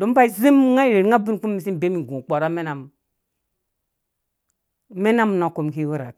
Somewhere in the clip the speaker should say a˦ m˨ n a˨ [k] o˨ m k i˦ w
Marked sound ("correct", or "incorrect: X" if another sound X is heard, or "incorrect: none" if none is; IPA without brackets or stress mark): correct